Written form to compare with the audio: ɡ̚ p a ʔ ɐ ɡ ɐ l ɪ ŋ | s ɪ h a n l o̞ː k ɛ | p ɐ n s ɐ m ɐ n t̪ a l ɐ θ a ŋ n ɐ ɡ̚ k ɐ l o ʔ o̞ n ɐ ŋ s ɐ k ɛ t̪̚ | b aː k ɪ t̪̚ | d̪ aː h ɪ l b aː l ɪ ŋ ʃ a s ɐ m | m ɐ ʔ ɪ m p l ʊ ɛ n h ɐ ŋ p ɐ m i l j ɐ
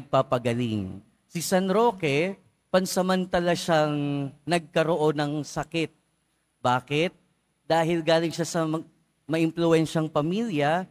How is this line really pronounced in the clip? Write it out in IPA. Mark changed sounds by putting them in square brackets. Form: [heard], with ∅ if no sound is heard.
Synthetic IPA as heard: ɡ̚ p a [p] ɐ ɡ ɐ l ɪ ŋ | s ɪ [s] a n [ɾ] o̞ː k ɛ | p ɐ n s ɐ m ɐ n t̪ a l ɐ [ʃ] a ŋ n ɐ ɡ̚ k ɐ [ɾ] o ʔ o̞ n ɐ ŋ s ɐ k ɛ t̪̚ | b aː k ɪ t̪̚ | d̪ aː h ɪ l [ɡ] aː l ɪ ŋ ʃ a s ɐ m | m ɐ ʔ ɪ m p l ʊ ɛ n [ʃ] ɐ ŋ p ɐ m i l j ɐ